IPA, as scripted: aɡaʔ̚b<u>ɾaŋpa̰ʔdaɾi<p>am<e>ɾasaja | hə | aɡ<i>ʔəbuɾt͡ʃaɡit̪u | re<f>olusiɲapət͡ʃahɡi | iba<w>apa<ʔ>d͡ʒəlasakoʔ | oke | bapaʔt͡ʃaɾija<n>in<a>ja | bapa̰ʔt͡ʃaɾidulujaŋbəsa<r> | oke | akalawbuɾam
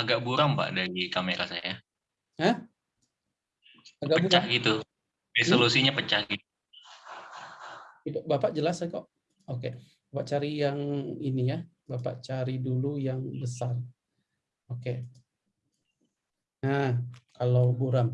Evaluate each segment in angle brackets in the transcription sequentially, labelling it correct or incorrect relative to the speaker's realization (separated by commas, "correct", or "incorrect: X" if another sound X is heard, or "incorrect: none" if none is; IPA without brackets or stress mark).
correct, incorrect: k, correct, incorrect: a, incorrect: s, incorrect: b, correct, incorrect: ŋ, incorrect: i, correct